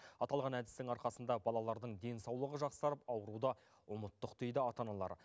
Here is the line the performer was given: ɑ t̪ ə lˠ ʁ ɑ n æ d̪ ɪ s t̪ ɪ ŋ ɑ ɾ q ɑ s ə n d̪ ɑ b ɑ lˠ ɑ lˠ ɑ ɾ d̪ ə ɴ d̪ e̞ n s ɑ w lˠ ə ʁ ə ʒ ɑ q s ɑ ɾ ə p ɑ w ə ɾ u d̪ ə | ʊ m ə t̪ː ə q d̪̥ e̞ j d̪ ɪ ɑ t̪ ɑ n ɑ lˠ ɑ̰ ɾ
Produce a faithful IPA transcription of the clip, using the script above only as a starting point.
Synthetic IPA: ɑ t̪ ɑ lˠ ʁ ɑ n æ d̪ ɪ s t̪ ɪ ŋ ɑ ɾ q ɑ s ə n d̪ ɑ b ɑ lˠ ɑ lˠ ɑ ɾ d̪ ə ɴ d̪ e̞ n s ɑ w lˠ ə ʁ ə ʒ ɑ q s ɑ ɾ ə p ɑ w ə ɾ u d̪ ɑ | ʊ m ə t̪ː ə q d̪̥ e̞ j d̪ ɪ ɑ t̪ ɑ n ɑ lˠ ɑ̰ ɾ